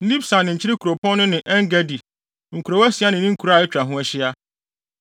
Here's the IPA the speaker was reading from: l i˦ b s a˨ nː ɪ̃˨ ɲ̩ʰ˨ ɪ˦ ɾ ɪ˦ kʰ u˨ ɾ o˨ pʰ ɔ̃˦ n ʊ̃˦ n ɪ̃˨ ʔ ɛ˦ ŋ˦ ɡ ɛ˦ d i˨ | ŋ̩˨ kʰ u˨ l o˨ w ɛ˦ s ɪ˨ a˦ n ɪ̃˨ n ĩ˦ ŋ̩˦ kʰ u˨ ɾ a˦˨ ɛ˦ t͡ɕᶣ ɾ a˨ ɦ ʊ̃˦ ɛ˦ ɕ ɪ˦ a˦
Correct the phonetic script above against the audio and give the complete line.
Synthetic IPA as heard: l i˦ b s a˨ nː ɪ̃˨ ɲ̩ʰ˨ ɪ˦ ɾ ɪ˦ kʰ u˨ ɾ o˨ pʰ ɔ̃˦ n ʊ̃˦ n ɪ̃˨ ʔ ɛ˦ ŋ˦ ɡ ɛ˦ d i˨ | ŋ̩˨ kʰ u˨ ɾ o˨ w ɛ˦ s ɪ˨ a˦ n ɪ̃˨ n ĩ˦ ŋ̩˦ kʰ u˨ ɾ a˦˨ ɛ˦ t͡ɕᶣ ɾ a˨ ɦ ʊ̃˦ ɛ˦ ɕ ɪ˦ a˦